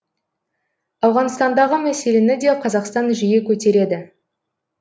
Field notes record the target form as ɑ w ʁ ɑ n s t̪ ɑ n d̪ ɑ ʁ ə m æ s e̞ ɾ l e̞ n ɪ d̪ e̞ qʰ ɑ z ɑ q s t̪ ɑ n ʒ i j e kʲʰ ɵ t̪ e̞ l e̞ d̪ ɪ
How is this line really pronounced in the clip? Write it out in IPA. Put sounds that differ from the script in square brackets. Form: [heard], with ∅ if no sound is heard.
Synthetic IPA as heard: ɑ w ʁ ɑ n s t̪ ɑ n d̪ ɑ ʁ ə m æ s e̞ [∅] l e̞ n ɪ d̪ e̞ qʰ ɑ z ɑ q s t̪ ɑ n ʒ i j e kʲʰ ɵ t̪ e̞ [ɾ] e̞ d̪ ɪ